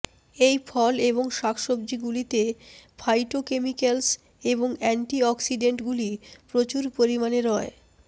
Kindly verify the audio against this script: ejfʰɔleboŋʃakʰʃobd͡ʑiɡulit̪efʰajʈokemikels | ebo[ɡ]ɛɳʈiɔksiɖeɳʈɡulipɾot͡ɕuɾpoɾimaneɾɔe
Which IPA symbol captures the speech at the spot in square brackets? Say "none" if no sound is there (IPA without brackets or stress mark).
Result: ŋ